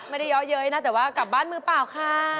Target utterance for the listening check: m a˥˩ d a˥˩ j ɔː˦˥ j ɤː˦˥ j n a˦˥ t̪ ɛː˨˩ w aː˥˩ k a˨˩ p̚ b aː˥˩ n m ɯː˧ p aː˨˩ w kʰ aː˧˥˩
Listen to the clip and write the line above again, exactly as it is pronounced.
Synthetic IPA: m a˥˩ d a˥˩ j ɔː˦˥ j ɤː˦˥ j n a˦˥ t̪ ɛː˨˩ w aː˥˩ k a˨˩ p̚ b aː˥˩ n m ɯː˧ p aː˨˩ w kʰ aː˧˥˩